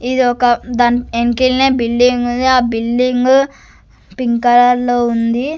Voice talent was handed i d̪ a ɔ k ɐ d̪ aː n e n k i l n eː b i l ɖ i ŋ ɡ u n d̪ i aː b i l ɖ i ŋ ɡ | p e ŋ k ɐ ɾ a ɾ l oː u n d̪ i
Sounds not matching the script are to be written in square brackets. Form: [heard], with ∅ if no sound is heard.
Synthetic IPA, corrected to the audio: i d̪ [i] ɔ k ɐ d̪ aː n e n k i l n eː b i l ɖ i ŋ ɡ u n d̪ i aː b i l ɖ i ŋ ɡ | p [i] ŋ k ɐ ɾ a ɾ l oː u n d̪ i

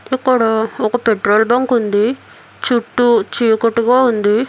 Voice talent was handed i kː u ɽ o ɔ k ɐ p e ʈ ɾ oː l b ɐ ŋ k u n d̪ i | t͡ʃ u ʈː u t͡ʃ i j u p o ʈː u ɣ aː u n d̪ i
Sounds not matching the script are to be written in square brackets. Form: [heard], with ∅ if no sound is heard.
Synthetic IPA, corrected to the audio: i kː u ɽ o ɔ k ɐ p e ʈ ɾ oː l b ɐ ŋ k u n d̪ i | t͡ʃ u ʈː u t͡ʃ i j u [k] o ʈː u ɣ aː u n d̪ i

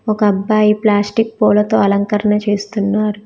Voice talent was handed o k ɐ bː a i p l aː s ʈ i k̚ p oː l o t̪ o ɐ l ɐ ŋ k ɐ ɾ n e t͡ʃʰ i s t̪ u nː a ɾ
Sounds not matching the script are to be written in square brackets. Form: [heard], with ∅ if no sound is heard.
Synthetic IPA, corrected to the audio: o k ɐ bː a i p l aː s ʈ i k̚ p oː l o t̪ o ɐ l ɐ ŋ k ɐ ɾ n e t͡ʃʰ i s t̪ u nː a ɾ

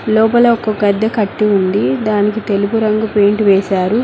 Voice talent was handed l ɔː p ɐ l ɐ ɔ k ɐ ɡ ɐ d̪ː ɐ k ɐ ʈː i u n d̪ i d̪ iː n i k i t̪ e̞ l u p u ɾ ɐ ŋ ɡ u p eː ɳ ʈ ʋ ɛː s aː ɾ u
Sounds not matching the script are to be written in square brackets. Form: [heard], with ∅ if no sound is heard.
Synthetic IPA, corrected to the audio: l ɔː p ɐ l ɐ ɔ k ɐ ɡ ɐ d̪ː ɐ k ɐ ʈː i u n d̪ i d̪ [aː] n i k i t̪ e̞ l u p u ɾ ɐ ŋ ɡ u p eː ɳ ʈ ʋ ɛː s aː ɾ u

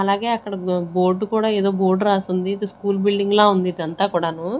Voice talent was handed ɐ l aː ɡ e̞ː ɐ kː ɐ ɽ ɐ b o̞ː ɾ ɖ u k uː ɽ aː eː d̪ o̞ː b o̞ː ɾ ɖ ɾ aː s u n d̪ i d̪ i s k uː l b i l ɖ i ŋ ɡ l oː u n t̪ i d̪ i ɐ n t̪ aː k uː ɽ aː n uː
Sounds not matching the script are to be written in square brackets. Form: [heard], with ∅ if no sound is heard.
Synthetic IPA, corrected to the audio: ɐ l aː ɡ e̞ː ɐ kː ɐ ɽ ɐ b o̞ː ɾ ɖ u k uː ɽ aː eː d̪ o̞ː b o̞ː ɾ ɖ ɾ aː s u n d̪ i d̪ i s k uː l b i l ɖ i ŋ ɡ l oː u n [d̪] i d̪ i ɐ n t̪ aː k uː ɽ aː n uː

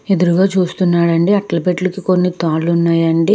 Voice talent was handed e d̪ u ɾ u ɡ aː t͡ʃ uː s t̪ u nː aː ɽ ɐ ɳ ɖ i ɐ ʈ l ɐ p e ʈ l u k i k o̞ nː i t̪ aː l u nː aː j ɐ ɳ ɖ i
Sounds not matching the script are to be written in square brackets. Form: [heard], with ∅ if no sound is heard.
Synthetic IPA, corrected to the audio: e d̪ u ɾ u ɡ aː t͡ʃ uː s t̪ u nː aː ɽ ɐ ɳ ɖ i ɐ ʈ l ɐ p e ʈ l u k i k o̞ nː i t̪ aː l u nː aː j ɐ ɳ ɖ i

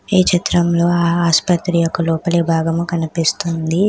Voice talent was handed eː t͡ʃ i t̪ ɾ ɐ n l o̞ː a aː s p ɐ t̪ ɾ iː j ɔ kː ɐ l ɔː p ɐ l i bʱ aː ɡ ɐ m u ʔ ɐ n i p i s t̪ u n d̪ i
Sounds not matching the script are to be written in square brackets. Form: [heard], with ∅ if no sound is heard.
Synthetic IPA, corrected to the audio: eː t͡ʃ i t̪ ɾ ɐ [m] l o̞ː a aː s p ɐ t̪ ɾ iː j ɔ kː ɐ l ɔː p ɐ l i bʱ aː ɡ ɐ m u [k] ɐ n i p i s t̪ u n d̪ i

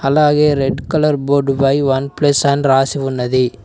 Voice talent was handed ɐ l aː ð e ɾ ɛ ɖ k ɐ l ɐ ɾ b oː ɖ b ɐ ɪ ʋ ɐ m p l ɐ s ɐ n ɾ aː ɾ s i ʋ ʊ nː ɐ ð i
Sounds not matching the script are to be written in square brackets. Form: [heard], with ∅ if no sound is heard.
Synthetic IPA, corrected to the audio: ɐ l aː [ɣ] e ɾ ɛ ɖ k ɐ l ɐ ɾ b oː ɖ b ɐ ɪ ʋ ɐ [n] p l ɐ s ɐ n ɾ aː [∅] s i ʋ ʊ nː ɐ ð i

